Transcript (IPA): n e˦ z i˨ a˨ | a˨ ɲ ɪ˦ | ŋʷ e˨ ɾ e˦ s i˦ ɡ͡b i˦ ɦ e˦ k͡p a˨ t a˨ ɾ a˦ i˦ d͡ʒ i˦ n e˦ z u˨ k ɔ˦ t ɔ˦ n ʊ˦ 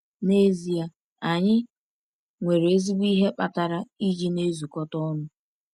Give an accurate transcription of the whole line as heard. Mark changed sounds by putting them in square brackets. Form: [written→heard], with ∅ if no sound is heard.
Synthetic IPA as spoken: n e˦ z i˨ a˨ | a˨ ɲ ɪ˦ | ŋʷ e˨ ɾ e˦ [s→z] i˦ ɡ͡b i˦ ɦ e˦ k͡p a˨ t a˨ ɾ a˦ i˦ d͡ʒ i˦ n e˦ z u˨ k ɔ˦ t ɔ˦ n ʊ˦